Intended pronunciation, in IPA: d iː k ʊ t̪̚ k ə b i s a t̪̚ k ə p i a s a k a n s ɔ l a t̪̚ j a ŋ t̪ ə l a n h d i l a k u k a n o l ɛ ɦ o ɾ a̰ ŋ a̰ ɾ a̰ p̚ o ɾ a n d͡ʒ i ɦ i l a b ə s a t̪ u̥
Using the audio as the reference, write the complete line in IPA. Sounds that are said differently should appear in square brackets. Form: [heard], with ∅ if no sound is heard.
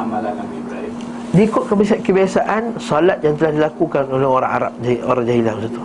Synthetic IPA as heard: d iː k ʊ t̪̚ k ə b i s a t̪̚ k ə [b] i a s a [ʔ] a n s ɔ l a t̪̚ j a ŋ t̪ ə l a [∅] h d i l a k u k a n o l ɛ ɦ o ɾ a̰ ŋ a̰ ɾ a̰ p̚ o ɾ a [ŋ] d͡ʒ [a] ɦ i l a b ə s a t̪ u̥